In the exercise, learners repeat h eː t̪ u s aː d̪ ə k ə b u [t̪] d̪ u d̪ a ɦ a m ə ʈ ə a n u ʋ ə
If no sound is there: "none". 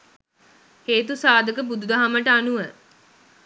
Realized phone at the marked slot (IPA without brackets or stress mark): none